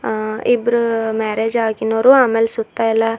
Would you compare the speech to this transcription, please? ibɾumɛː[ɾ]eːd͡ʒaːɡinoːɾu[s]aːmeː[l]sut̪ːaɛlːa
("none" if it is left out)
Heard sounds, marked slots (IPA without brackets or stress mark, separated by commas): ɾ, none, l